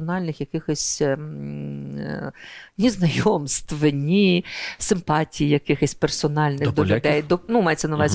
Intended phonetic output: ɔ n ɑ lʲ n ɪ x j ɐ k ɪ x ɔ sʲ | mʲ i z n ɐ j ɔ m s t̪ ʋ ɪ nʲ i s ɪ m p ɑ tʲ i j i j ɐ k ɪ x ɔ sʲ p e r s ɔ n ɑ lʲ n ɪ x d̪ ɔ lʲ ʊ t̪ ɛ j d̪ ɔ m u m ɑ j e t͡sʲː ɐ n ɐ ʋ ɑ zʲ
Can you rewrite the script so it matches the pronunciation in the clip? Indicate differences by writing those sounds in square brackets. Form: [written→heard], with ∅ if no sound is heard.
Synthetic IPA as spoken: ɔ n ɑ lʲ n ɪ x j ɐ k ɪ x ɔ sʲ | [mʲ→nʲ] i z n ɐ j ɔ m s t̪ ʋ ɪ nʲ i s ɪ m p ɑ tʲ i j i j ɐ k ɪ x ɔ sʲ p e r s ɔ n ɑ lʲ n ɪ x d̪ ɔ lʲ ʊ [t̪→d̪] ɛ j d̪ ɔ [m→n] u m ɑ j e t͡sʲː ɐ n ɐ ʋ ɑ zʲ